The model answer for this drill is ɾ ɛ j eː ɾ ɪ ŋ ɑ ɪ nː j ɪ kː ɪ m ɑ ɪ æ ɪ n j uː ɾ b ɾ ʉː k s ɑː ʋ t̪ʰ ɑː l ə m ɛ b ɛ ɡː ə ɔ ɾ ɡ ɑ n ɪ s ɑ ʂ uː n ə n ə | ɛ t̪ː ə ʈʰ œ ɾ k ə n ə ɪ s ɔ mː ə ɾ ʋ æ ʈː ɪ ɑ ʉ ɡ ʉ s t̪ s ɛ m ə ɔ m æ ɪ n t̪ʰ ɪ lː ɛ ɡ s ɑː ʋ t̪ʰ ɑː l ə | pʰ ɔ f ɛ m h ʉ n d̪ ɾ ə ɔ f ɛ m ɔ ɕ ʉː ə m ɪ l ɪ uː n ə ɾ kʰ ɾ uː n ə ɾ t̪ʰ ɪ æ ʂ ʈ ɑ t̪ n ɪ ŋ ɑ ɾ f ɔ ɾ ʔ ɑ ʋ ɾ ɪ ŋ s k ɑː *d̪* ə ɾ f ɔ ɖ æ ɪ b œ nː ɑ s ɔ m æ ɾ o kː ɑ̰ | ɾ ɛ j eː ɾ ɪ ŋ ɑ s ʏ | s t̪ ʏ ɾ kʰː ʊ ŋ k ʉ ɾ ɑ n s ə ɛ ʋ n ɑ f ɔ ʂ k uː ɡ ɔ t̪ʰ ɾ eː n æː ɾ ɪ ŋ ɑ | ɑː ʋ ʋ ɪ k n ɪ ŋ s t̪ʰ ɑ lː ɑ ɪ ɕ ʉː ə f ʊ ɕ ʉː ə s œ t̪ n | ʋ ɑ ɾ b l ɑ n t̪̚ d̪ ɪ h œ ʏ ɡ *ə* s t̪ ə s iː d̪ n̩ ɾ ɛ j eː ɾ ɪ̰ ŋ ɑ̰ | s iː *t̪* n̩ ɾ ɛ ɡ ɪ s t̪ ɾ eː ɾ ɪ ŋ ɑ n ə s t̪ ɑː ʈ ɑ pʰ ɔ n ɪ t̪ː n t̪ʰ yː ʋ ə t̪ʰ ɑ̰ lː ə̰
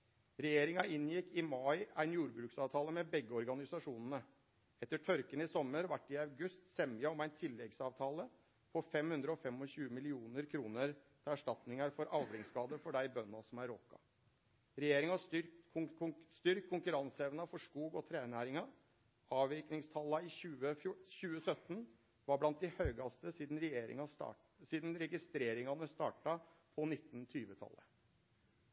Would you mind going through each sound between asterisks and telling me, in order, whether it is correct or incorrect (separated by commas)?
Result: correct, incorrect, incorrect